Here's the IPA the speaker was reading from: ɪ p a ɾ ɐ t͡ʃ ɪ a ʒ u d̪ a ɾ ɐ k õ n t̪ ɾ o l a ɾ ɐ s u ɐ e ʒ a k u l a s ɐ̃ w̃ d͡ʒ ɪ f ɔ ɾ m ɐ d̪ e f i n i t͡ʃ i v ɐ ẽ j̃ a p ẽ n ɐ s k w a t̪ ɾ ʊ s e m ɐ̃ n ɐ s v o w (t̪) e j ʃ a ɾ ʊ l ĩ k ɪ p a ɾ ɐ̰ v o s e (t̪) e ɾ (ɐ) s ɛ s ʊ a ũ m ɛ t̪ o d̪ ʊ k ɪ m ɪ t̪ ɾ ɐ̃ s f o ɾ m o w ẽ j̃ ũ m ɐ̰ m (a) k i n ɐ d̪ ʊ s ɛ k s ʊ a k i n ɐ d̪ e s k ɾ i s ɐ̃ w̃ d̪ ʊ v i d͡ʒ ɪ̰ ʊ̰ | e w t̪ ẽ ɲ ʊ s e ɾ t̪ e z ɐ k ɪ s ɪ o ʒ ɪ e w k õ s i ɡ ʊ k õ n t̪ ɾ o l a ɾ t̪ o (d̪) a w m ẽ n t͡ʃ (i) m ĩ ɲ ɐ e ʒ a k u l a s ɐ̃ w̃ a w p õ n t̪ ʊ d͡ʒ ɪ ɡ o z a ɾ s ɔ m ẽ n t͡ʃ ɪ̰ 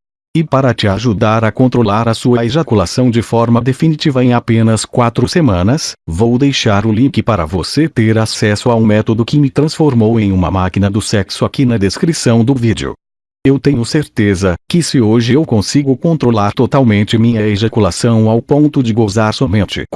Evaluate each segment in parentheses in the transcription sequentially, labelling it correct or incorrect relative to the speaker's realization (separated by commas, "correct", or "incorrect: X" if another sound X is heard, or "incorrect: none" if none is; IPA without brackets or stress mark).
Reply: incorrect: d̪, correct, incorrect: a, correct, incorrect: t̪, incorrect: ɪ